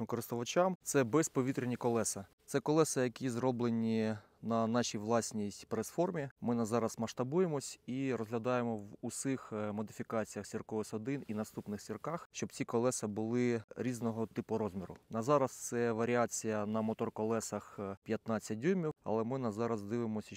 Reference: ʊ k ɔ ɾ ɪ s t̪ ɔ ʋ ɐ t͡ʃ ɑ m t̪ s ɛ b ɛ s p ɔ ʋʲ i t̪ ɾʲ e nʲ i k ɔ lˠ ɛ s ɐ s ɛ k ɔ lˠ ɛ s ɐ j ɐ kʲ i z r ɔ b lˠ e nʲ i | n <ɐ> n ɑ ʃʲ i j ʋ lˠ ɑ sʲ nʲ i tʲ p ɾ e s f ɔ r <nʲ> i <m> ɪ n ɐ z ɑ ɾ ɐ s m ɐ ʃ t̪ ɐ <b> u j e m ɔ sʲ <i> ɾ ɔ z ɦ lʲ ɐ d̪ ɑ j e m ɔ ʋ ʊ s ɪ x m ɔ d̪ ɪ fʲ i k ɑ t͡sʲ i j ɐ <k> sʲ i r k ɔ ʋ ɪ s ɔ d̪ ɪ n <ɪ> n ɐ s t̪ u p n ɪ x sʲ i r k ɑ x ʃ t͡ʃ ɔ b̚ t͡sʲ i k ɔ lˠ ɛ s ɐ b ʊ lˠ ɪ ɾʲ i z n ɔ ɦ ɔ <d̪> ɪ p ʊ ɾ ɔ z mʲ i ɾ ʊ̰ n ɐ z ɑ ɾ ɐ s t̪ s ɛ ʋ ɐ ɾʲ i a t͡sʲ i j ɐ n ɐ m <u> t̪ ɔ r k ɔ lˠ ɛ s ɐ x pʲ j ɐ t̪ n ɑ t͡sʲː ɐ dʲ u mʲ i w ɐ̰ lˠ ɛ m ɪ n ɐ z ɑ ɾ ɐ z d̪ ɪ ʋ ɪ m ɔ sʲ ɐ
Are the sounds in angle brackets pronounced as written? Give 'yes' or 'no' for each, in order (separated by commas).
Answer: yes, no, yes, yes, yes, no, no, no, no